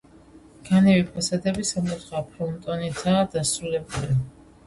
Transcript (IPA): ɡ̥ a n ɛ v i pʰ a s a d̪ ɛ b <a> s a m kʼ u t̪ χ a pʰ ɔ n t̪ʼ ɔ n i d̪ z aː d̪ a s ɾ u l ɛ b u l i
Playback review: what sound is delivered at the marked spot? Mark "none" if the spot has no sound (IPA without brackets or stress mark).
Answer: i